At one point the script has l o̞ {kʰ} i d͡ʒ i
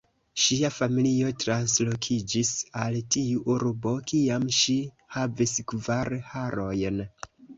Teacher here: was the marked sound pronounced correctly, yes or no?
yes